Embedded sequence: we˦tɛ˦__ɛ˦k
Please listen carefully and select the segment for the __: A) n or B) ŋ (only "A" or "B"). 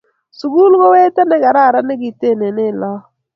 A